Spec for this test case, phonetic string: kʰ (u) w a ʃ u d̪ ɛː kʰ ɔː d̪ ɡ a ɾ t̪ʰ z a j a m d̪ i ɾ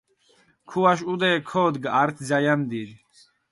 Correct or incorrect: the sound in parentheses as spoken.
correct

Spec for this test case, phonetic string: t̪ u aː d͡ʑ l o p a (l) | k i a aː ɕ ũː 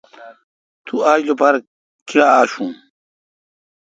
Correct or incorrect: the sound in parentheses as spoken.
incorrect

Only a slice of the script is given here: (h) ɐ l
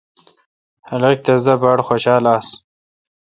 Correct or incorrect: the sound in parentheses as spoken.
correct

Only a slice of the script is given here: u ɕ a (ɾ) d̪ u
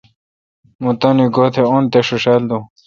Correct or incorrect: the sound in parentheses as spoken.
incorrect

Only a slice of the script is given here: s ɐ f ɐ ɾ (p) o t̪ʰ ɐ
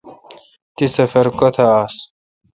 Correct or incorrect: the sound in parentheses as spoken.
incorrect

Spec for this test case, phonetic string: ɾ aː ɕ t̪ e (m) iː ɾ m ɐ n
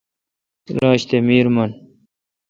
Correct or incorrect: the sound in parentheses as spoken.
correct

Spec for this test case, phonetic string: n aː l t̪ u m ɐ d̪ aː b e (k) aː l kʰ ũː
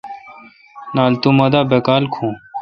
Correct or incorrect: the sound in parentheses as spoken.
correct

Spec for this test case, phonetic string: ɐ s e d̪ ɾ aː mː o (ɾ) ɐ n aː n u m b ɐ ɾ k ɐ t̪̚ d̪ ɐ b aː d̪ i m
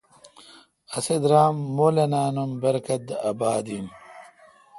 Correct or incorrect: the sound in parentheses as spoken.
incorrect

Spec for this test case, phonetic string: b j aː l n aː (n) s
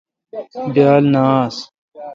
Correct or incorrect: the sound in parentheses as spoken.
incorrect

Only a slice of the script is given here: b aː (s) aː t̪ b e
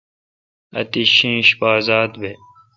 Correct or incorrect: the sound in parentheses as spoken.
incorrect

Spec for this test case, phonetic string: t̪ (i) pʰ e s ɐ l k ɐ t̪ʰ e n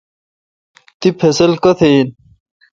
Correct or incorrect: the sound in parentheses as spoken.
correct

